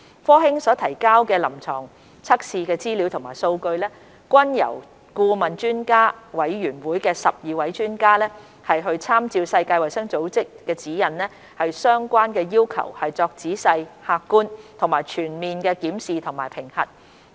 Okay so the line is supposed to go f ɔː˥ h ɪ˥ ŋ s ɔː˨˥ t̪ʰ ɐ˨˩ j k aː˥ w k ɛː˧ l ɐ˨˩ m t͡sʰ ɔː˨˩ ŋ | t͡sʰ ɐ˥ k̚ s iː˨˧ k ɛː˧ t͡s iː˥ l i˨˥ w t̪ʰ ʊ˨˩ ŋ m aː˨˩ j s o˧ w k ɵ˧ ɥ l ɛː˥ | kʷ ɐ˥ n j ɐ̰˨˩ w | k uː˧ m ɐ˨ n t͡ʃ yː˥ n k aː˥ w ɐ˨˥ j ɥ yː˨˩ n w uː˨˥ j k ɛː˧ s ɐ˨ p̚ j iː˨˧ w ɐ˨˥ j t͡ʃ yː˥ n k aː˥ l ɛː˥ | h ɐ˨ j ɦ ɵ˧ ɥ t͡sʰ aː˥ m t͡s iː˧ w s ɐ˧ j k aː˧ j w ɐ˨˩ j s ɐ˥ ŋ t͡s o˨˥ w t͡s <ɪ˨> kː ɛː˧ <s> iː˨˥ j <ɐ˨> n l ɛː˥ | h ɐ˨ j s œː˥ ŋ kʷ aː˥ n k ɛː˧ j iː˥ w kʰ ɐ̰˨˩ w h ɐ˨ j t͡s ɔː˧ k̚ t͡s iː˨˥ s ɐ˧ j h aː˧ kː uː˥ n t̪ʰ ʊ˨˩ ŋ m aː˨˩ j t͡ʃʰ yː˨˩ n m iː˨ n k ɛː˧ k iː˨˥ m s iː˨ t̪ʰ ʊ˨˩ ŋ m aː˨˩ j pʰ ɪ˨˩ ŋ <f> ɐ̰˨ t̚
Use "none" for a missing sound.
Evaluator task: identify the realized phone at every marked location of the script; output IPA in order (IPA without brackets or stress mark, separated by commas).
ɪ˥, t͡s, ɐ˨, h